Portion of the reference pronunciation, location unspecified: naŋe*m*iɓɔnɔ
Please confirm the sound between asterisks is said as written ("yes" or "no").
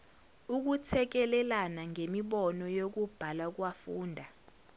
yes